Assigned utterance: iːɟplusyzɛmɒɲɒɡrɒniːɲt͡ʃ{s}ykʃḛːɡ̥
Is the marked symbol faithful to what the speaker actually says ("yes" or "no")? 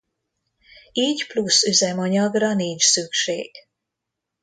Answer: yes